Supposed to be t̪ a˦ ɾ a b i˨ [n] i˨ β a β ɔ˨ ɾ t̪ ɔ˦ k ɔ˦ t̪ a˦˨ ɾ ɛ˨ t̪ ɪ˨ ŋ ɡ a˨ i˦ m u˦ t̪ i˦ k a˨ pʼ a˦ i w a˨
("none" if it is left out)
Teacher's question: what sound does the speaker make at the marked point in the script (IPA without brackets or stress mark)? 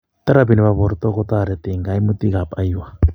n